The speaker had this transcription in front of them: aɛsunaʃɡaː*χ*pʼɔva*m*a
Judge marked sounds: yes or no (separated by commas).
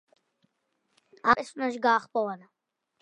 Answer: yes, no